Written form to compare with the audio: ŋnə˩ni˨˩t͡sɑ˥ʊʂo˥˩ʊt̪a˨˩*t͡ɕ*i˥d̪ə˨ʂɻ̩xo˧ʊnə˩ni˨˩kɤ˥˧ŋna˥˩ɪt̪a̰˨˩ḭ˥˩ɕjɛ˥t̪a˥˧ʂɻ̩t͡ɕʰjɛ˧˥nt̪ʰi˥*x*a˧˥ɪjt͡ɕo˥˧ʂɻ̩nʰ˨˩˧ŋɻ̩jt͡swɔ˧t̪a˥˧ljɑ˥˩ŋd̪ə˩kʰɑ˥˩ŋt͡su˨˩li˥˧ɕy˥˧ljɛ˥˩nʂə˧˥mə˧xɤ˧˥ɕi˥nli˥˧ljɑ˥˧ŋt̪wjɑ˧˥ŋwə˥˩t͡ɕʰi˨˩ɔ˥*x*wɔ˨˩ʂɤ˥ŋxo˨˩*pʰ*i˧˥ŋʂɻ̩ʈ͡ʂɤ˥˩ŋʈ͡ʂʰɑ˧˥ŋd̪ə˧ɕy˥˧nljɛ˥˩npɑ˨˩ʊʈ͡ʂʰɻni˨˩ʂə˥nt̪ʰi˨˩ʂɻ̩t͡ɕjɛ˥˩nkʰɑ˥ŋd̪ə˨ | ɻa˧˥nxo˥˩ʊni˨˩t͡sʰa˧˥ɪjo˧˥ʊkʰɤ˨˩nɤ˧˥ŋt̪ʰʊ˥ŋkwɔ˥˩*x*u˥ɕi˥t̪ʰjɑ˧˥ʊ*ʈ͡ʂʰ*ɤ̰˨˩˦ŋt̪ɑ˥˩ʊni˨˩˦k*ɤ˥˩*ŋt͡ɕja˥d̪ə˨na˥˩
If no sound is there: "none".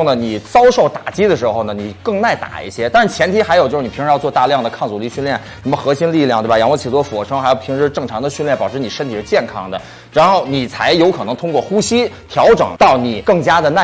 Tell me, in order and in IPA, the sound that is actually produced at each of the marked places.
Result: t͡ɕ, x, f, pʰ, x, ʈ͡ʂ, ɤ˥˩

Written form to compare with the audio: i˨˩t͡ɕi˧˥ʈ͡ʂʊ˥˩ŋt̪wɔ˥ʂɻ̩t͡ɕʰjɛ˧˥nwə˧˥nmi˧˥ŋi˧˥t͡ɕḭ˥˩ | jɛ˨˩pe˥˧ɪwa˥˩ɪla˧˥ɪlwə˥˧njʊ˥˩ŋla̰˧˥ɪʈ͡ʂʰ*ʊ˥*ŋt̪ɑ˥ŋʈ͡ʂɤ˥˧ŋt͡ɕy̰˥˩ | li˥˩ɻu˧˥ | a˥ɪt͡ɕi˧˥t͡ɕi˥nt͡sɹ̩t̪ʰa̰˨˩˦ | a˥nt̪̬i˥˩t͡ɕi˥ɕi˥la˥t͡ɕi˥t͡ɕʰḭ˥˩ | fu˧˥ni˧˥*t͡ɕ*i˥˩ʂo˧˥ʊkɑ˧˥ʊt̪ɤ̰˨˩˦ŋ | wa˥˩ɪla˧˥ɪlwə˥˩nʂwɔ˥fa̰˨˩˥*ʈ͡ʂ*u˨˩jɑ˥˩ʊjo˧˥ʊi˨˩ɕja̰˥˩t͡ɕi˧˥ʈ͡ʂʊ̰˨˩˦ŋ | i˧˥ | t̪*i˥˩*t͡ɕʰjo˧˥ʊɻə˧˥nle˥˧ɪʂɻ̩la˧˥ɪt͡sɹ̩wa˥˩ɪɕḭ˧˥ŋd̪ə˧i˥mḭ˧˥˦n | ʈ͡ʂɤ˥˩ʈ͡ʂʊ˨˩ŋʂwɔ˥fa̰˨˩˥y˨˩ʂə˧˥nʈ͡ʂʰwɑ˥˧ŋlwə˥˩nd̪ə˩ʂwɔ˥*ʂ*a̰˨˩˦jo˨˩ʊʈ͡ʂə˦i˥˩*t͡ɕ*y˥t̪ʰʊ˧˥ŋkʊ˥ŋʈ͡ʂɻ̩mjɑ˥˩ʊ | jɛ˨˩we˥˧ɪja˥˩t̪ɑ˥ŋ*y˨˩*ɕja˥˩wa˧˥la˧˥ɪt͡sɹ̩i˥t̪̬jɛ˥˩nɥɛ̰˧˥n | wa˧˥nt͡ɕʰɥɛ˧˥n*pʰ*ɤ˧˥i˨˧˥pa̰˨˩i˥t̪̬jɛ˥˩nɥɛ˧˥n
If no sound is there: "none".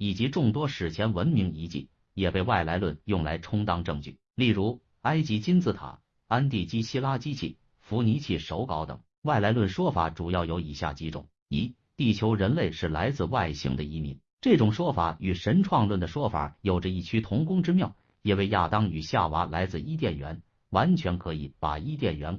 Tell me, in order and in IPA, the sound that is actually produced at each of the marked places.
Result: ʊ˥, t͡ɕʰ, ʈ͡ʂ, i˥˩, f, t͡ɕʰ, y˨˩, kʰ

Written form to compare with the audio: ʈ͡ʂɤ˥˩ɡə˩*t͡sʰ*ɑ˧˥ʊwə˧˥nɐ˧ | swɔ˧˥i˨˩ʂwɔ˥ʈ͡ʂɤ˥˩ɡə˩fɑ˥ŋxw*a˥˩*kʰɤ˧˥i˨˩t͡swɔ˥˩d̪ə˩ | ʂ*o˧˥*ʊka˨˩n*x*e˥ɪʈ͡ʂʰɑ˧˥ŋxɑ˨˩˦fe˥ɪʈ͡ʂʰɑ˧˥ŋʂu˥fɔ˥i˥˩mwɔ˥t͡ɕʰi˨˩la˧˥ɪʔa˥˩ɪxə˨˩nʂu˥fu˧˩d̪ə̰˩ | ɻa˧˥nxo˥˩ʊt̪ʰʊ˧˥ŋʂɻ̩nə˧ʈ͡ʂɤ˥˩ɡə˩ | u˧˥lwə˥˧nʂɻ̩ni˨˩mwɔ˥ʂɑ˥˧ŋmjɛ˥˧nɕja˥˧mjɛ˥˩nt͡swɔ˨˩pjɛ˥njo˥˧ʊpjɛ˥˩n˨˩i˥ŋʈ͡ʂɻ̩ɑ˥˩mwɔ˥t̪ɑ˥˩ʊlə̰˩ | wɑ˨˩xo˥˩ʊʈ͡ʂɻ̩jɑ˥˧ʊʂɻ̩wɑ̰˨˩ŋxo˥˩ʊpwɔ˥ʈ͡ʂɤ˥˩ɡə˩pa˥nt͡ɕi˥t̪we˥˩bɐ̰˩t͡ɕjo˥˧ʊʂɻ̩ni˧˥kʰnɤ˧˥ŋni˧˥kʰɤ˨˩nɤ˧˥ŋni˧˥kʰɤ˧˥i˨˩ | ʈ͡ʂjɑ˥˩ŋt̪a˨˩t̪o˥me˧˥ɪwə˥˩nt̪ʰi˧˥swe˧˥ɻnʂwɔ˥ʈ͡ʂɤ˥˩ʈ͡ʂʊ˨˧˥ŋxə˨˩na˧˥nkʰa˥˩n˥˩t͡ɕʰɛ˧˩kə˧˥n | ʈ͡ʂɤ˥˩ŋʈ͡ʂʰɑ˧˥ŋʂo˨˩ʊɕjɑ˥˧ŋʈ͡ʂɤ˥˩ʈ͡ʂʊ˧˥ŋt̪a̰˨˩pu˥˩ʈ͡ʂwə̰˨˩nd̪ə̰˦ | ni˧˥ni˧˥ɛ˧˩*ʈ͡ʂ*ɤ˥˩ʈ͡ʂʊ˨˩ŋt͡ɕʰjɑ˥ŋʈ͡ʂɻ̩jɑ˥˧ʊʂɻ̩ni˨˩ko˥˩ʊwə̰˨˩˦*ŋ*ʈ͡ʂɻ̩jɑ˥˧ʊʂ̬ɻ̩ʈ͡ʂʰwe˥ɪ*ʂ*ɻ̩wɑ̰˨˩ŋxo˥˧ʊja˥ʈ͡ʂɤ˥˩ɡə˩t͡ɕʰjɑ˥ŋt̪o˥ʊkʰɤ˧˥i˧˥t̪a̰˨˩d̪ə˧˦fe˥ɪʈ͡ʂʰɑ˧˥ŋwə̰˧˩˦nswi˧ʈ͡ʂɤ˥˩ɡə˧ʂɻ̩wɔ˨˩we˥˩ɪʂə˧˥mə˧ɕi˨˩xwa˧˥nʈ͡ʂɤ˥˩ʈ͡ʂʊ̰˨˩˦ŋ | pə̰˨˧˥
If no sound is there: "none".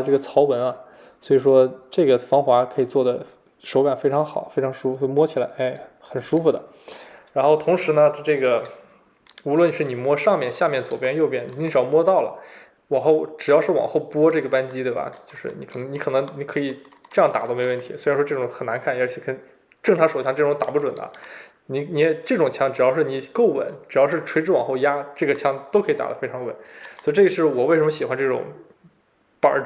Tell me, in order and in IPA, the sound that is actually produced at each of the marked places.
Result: t͡sʰ, a˧˥, o˧˥, f, ʈ͡ʂ, n, ʈ͡ʂ

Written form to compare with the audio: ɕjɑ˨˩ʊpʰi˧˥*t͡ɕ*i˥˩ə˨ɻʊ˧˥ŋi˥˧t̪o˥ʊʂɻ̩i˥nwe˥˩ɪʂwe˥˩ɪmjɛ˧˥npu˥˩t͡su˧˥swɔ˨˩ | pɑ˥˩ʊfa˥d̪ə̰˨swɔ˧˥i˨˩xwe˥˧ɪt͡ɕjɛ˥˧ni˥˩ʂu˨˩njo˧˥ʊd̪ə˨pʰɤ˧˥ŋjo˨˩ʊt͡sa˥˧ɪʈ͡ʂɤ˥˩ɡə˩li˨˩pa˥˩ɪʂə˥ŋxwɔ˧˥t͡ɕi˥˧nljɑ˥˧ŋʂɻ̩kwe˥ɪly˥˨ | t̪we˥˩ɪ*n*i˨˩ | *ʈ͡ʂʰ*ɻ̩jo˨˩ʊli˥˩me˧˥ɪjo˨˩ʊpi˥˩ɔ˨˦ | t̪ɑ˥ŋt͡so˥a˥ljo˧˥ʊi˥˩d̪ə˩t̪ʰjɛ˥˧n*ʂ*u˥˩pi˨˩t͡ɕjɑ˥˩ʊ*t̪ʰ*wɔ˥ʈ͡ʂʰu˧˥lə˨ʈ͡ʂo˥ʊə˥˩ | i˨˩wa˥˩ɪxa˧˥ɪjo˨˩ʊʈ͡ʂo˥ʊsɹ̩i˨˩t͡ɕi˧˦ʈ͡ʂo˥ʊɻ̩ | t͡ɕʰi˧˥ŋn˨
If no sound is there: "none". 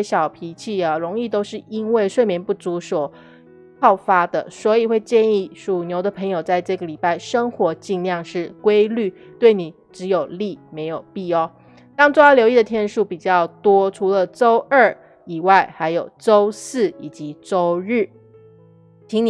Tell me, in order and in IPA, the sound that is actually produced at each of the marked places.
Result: t͡ɕʰ, n, ʈ͡ʂ, ʂ, t̪

